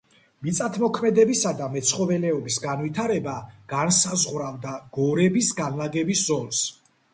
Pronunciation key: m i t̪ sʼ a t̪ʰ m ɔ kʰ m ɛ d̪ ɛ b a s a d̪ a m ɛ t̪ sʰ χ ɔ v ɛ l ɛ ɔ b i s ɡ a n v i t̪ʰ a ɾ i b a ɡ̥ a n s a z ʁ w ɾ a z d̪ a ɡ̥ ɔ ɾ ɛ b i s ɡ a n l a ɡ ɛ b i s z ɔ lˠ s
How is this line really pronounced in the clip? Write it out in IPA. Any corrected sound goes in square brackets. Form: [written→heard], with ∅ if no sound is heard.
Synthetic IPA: m i t̪ sʼ a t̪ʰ m ɔ kʰ m ɛ d̪ ɛ b [a→i] s a d̪ a m ɛ t̪ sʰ χ ɔ v ɛ l ɛ ɔ b i s ɡ a n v i t̪ʰ a ɾ [i→ɛ] b a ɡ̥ a n s a z ʁ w ɾ a [z→v] d̪ a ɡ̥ ɔ ɾ ɛ b i s ɡ a n l a ɡ ɛ b i s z ɔ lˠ s